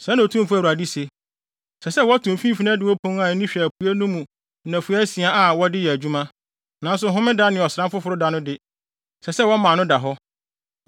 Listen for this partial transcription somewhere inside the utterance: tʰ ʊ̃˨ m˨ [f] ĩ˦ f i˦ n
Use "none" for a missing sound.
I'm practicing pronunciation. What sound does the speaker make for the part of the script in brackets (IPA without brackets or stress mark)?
f